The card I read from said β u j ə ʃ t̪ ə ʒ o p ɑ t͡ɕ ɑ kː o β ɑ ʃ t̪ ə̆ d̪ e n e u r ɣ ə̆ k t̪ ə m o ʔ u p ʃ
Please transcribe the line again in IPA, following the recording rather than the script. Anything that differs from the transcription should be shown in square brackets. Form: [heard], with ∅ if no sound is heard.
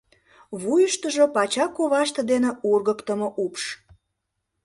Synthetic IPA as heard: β u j ə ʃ t̪ ə ʒ o p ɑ t͡ɕ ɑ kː o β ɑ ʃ t̪ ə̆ d̪ e n e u r ɣ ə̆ k t̪ ə m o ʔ u p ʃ

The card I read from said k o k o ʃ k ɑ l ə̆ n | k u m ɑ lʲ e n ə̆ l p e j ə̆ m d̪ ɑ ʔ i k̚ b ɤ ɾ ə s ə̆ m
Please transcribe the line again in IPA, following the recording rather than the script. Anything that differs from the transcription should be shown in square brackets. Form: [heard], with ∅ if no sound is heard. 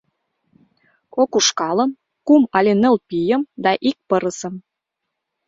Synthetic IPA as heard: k o k [u] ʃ k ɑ l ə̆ [m] | k u m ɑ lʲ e n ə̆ l p [i] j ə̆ m d̪ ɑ ʔ i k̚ [p] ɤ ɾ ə s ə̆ m

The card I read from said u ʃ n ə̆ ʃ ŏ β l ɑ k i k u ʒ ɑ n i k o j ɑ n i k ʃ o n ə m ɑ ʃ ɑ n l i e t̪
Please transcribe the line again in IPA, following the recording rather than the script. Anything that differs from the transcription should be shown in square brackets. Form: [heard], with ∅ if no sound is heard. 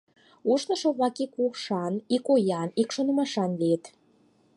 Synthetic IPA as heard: u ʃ n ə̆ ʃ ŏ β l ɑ k i k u [ʃ] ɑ n i k o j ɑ n i k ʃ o n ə m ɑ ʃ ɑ n l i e t̪

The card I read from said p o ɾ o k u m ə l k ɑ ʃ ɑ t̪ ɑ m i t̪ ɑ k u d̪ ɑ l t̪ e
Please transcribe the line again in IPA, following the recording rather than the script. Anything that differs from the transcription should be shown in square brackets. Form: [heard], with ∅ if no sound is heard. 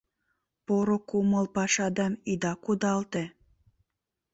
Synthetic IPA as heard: p o ɾ o k u m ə l [p] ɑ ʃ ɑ [d̪] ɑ m i [d̪] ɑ k u d̪ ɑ l t̪ e

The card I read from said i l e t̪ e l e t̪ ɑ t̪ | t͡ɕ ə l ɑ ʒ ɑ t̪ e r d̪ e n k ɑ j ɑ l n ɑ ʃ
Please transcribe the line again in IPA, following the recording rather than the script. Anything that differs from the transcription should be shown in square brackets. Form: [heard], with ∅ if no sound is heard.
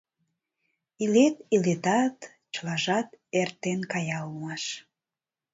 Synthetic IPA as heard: i l e t̪ [i] l e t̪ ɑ t̪ | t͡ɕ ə l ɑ ʒ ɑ t̪ e r [t̪] e n k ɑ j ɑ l [m] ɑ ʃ

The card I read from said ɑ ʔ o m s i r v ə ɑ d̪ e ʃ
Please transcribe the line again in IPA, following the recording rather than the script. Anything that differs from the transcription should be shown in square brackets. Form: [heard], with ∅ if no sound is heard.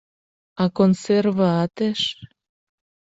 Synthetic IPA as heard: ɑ [k] o [n] s [e] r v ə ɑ [t̪] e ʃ

